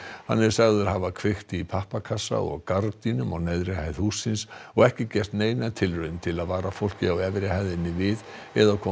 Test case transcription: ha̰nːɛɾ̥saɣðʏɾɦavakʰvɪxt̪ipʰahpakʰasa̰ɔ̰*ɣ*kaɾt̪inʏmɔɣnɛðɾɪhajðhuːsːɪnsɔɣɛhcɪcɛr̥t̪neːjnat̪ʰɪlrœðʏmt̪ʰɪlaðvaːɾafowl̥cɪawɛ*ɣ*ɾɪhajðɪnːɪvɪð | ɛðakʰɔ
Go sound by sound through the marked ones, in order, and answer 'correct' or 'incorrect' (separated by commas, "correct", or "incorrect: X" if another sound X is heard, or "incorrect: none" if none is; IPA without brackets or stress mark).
correct, incorrect: v